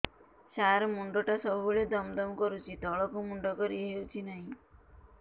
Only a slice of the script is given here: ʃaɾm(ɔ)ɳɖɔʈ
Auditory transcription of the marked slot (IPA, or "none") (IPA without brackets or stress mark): u